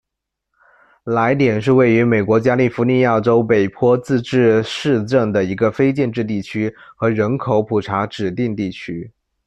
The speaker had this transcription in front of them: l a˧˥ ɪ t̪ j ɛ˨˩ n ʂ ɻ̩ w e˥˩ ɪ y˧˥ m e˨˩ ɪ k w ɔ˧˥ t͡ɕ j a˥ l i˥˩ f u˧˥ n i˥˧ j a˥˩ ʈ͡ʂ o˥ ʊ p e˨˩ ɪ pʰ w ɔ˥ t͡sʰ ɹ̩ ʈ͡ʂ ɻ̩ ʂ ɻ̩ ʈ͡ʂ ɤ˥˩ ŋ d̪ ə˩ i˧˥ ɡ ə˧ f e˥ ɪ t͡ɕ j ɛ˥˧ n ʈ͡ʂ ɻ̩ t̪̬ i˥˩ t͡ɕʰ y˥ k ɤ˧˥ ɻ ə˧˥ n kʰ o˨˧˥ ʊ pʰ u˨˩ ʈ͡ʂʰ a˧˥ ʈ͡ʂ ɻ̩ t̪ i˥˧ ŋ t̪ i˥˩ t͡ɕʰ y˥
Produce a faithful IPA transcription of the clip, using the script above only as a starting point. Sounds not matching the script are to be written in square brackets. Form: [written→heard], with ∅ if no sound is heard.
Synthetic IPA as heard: l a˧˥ ɪ t̪ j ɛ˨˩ n ʂ ɻ̩ w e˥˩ ɪ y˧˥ m e˨˩ ɪ k w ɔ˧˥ t͡ɕ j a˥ l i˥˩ f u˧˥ n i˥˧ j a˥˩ ʈ͡ʂ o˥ ʊ p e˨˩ ɪ pʰ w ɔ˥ [t͡sʰ→t͡s] ɹ̩ ʈ͡ʂ ɻ̩ ʂ ɻ̩ ʈ͡ʂ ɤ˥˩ ŋ d̪ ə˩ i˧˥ ɡ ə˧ f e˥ ɪ t͡ɕ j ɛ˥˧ n ʈ͡ʂ ɻ̩ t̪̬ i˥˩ t͡ɕʰ y˥ [k→x] ɤ˧˥ ɻ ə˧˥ n kʰ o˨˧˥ ʊ pʰ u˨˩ ʈ͡ʂʰ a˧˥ ʈ͡ʂ ɻ̩ t̪ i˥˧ ŋ t̪ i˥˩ t͡ɕʰ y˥